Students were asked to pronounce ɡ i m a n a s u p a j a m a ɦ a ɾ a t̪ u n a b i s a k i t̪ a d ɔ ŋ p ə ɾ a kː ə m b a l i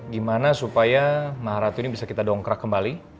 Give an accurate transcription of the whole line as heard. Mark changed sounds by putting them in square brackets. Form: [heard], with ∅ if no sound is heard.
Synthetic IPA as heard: ɡ i m a n a s u p a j a m a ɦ a ɾ a t̪ u n [i] b i s a k i t̪ a d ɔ ŋ [k] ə ɾ a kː ə m b a l i